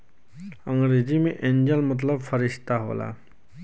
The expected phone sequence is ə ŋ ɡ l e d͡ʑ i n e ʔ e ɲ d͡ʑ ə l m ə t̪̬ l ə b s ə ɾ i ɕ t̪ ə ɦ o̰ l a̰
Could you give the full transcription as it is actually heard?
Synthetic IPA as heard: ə ŋ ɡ ɾ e d͡ʑ i m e ʔ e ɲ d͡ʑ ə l m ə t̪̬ l ə b f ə ɾ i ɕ t̪ a ɦ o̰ l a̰